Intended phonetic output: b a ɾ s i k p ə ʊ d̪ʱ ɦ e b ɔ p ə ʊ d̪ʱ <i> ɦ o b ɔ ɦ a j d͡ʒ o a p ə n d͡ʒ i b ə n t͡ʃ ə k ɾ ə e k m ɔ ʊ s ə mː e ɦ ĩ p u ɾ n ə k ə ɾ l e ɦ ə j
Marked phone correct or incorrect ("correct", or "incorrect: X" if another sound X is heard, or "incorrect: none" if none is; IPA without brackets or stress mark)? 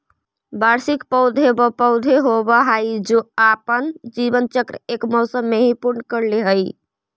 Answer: incorrect: e